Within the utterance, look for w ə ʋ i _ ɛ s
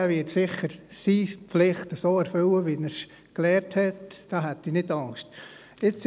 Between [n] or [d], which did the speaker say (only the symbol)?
n